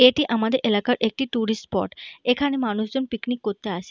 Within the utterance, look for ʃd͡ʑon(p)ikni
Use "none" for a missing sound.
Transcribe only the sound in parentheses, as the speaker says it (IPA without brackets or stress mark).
p